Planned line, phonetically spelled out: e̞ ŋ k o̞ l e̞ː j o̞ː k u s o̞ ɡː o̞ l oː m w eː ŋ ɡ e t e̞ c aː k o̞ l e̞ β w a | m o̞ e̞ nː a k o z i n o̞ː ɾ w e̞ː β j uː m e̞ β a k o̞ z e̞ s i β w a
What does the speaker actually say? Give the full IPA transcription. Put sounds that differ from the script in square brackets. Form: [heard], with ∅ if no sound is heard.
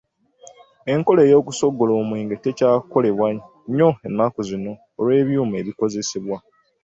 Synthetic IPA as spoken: e̞ ŋ k o̞ l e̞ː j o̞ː k u s o̞ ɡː o̞ l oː m w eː ŋ ɡ e t e̞ c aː k o̞ l e̞ β w a | [ɲ] o̞ e̞ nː a k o z i n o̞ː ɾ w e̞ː β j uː m e̞ β [i] k o̞ z e̞ s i β w a